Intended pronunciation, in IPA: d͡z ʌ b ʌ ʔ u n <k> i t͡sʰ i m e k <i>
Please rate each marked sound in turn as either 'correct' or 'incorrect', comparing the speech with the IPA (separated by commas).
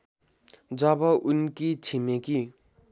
correct, correct